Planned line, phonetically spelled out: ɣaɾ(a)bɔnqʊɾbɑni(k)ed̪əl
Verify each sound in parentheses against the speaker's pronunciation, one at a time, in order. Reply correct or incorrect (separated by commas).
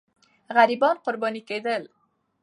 incorrect, correct